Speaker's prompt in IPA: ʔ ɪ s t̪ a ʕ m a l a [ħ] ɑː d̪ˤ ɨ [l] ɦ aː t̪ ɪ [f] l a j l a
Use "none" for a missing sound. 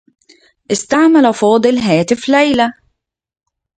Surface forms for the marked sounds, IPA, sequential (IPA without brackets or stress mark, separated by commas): f, l, f